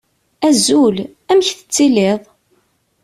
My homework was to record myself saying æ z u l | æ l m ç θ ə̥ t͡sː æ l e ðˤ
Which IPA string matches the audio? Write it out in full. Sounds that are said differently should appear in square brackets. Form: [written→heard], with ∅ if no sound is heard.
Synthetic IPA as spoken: æ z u l | æ [l→∅] m ç θ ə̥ t͡sː [æ→i] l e ðˤ